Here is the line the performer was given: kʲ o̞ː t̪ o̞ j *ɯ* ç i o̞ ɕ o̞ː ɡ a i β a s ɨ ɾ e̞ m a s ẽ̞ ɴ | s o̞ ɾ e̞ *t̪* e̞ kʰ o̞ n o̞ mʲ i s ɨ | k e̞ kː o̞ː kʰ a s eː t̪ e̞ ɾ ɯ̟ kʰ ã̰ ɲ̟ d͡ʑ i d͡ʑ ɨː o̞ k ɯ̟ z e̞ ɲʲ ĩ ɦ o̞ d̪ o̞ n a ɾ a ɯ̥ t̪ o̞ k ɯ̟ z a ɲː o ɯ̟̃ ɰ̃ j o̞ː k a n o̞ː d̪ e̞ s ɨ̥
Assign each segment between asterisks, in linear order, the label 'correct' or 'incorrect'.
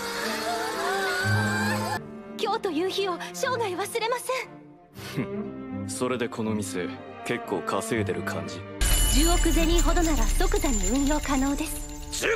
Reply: incorrect, incorrect

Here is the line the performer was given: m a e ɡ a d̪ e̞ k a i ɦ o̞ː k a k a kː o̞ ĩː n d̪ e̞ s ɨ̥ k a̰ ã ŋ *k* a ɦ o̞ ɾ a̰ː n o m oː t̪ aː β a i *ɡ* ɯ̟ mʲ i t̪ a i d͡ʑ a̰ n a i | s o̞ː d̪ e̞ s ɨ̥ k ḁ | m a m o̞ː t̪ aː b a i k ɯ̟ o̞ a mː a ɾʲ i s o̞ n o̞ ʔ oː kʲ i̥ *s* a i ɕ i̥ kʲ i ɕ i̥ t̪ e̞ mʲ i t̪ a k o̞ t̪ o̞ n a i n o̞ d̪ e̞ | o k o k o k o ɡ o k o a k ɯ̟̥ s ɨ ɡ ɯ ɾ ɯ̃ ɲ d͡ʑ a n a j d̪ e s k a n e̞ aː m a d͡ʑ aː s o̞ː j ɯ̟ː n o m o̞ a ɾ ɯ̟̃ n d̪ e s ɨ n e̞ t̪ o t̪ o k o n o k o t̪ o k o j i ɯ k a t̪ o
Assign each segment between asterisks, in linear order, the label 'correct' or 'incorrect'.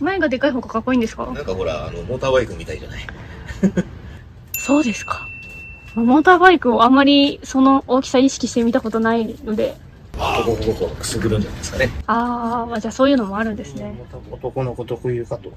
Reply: correct, incorrect, correct

